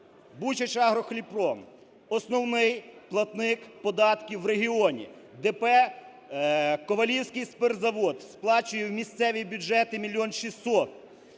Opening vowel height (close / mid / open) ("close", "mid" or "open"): close